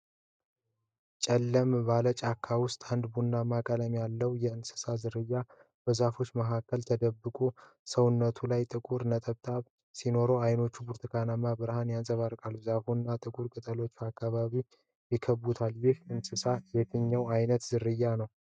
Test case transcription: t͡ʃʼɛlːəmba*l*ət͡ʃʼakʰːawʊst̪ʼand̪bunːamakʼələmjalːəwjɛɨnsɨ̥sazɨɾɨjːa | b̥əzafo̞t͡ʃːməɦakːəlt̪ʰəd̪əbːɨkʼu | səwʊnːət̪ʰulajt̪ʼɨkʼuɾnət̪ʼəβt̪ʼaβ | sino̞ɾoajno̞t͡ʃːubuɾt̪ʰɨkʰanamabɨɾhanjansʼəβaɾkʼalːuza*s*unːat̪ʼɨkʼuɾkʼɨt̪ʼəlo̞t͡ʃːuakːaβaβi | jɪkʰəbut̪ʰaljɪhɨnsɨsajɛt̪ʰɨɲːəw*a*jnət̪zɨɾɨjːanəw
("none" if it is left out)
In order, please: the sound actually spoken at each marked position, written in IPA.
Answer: l, f, a

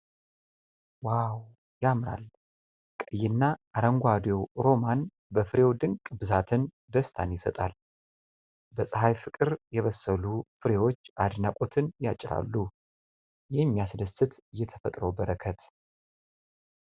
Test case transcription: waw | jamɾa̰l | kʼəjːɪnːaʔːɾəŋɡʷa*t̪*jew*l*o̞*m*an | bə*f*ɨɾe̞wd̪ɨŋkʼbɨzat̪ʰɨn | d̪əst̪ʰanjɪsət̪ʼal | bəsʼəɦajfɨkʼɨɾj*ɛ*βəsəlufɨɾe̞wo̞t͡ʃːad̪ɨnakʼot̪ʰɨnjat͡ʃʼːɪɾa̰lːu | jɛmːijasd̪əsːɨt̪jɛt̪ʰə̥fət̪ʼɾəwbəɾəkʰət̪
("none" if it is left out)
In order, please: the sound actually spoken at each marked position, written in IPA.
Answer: d̪, ɾ, m, f, ɛ

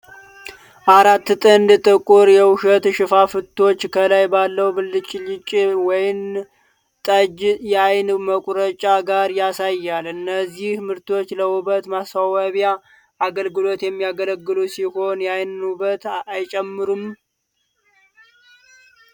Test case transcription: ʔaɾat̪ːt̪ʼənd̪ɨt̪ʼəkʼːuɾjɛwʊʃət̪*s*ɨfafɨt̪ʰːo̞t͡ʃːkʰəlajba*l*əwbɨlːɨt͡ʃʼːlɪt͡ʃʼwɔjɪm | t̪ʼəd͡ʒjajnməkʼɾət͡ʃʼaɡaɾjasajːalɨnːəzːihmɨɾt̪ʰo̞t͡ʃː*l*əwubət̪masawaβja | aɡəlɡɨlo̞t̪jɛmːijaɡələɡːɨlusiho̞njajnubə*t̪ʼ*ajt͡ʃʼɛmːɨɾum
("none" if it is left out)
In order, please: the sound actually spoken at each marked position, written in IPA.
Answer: ʃ, lː, l, t̪

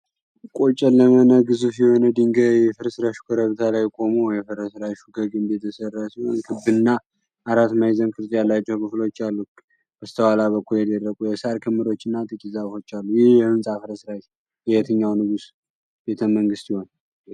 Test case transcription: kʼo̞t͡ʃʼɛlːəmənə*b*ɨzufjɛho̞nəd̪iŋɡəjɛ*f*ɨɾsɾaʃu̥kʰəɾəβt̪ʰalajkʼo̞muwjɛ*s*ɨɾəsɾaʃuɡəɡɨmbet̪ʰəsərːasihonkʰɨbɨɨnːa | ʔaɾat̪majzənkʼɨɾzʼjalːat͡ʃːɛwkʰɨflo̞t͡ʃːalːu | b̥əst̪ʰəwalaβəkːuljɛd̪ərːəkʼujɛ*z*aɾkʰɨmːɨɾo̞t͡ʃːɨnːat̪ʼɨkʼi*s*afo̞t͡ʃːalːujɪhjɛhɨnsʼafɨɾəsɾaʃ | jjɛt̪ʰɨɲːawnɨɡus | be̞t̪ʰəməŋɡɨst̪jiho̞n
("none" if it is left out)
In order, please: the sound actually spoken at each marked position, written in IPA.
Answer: ɡ, f, f, s, z

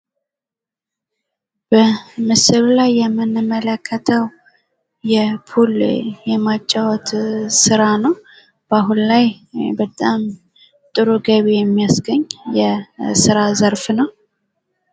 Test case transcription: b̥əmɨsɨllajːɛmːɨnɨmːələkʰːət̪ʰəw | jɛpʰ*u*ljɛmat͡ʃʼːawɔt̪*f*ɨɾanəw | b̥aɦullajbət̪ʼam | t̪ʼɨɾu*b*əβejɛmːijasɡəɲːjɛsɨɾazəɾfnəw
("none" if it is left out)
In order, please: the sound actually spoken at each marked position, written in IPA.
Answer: u, s, ɡ

